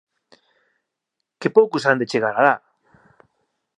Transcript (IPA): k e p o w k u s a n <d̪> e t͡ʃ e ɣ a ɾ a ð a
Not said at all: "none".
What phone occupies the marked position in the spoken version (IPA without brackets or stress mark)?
d̪